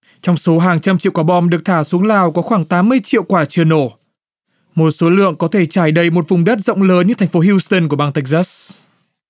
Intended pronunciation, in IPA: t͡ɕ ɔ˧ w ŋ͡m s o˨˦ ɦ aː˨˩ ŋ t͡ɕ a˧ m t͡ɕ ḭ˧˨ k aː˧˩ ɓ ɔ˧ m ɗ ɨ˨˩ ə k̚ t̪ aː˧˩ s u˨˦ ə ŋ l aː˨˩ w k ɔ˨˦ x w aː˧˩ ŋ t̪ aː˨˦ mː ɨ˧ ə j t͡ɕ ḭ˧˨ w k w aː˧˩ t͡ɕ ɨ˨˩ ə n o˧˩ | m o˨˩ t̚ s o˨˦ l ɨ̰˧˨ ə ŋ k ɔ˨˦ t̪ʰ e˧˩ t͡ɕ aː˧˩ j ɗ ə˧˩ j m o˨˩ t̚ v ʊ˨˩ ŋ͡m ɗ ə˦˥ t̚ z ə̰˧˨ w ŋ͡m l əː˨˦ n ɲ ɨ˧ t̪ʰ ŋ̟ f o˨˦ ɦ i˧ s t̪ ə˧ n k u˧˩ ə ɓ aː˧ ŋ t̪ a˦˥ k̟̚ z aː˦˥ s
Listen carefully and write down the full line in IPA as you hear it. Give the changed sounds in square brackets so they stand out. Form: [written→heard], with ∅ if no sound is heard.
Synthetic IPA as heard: t͡ɕ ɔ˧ w ŋ͡m s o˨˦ ɦ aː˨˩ ŋ t͡ɕ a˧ m t͡ɕ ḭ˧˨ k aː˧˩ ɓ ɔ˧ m ɗ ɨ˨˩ ə k̚ [t̪→t̪ʰ] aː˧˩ s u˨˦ ə ŋ l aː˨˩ w k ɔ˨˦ x w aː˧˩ ŋ t̪ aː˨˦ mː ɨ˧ ə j t͡ɕ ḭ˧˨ w k w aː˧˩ t͡ɕ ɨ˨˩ ə n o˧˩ | m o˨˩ t̚ s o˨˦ l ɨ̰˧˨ ə ŋ k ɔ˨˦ t̪ʰ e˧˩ t͡ɕ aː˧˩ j ɗ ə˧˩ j m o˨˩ t̚ v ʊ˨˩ ŋ͡m ɗ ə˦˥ t̚ z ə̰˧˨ w ŋ͡m l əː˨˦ n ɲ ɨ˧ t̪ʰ ŋ̟ f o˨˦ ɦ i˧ s t̪ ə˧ n k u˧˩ ə ɓ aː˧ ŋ t̪ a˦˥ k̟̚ z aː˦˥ s